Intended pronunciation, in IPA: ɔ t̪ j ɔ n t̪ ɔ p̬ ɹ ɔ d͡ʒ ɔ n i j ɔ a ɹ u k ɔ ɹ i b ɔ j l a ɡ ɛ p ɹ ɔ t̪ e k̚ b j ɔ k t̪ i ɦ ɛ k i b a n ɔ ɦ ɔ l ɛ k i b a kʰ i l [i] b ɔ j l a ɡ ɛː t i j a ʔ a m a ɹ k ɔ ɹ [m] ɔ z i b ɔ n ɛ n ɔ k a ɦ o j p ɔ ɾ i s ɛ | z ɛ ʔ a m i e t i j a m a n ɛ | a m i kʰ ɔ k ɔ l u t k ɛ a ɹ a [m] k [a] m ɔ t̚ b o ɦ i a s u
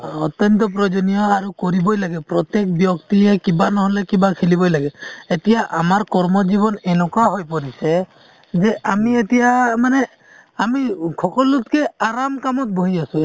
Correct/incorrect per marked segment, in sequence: correct, correct, correct, correct

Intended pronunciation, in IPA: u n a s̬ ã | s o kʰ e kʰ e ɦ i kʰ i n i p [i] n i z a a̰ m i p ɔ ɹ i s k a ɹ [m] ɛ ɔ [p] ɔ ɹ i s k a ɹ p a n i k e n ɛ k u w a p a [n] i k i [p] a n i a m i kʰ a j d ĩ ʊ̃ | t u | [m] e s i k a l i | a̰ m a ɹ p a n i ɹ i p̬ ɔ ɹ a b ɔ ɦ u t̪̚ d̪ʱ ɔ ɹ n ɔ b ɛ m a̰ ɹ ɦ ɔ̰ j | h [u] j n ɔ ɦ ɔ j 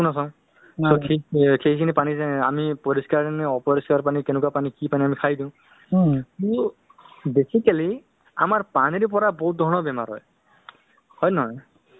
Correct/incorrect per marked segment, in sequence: incorrect, incorrect, correct, correct, correct, incorrect, incorrect

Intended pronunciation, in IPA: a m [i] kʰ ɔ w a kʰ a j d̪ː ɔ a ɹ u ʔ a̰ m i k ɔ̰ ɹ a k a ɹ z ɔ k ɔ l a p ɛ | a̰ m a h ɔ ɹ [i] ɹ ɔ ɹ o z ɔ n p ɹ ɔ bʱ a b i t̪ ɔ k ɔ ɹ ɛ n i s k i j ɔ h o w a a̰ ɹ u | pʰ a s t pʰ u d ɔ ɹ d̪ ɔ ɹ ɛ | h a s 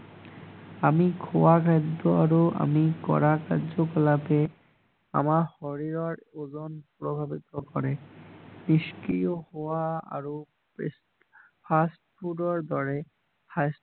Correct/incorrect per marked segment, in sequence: correct, correct

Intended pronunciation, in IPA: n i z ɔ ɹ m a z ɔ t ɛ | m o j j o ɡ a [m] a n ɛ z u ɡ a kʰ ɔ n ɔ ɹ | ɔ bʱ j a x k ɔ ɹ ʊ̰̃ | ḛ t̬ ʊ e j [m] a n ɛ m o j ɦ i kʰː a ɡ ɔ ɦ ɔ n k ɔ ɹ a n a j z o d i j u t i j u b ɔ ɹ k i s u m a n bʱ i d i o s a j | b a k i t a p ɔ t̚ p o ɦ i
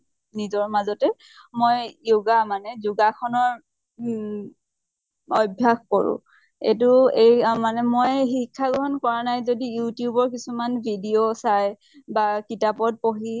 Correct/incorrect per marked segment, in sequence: correct, correct

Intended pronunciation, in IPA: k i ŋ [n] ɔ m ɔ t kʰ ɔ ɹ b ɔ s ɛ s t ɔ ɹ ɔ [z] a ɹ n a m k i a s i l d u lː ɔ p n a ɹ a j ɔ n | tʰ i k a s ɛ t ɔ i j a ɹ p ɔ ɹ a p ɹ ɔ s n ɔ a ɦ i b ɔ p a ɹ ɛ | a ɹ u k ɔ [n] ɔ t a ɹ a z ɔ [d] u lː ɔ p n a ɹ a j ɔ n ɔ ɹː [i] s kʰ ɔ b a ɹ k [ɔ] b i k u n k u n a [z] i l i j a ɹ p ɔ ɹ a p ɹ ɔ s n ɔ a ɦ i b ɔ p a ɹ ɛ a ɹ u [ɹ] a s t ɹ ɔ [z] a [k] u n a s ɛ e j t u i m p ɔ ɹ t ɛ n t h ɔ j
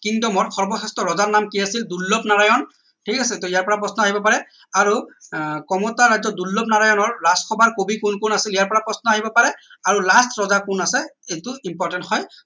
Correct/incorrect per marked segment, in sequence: incorrect, correct, incorrect, correct, incorrect, incorrect, incorrect, incorrect, correct, correct

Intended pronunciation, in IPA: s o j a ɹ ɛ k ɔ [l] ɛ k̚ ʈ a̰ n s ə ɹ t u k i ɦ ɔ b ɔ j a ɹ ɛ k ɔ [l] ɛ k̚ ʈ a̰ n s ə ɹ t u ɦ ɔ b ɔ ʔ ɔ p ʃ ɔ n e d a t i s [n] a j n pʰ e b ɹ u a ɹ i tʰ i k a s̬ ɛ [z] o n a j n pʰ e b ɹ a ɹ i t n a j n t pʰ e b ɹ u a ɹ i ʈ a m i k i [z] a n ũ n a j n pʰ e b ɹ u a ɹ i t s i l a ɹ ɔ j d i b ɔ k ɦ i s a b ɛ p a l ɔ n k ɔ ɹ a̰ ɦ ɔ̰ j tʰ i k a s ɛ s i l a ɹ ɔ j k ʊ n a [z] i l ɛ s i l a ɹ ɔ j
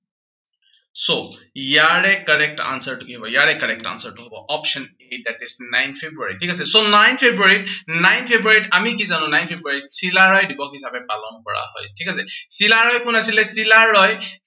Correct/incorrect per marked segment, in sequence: incorrect, incorrect, correct, incorrect, correct, incorrect

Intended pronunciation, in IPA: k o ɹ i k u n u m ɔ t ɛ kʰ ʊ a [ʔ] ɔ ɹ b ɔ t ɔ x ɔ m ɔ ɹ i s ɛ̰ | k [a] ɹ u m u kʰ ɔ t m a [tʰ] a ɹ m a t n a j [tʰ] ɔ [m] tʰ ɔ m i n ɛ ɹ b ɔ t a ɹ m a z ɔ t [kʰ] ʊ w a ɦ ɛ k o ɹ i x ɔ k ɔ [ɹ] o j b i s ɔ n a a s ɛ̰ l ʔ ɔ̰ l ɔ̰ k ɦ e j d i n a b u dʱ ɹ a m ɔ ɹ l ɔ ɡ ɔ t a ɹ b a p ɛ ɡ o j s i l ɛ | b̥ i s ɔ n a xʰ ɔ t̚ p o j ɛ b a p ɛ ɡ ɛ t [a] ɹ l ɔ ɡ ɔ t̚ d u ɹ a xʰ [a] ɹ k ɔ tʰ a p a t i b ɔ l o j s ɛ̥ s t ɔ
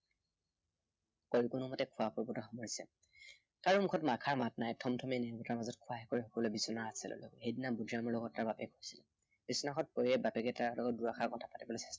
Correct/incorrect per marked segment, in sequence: incorrect, correct, incorrect, correct, correct, correct, incorrect, correct, correct

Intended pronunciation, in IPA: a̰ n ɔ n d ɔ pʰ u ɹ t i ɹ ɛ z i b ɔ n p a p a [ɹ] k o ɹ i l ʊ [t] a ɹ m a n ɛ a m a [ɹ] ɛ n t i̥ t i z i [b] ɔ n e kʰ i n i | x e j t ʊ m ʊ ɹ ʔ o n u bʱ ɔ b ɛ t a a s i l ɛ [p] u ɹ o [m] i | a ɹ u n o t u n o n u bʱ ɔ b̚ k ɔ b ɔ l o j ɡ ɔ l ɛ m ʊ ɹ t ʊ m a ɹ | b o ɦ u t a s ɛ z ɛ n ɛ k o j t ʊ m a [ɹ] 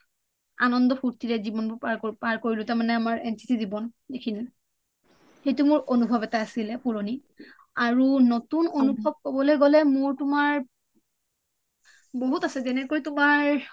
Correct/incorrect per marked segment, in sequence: correct, correct, correct, correct, correct, incorrect, correct

